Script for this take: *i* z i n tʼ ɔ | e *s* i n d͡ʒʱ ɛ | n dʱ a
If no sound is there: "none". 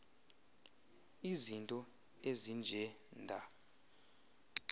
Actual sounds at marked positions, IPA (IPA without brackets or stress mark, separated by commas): i, z